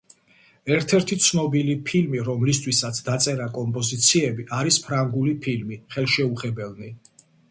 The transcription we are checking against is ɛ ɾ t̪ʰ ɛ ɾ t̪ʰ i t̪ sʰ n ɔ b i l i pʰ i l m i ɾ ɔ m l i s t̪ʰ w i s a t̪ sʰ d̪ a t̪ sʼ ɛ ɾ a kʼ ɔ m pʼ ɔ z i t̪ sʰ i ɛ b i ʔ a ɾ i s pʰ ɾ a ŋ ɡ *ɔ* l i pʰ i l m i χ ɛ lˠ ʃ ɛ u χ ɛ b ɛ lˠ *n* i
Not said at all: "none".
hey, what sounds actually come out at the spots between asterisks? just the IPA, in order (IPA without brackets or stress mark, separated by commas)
u, n